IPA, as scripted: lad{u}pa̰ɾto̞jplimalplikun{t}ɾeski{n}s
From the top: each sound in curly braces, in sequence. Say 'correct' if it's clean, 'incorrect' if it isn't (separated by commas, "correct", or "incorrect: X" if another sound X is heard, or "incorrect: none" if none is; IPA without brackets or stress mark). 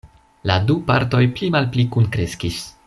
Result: correct, incorrect: k, incorrect: none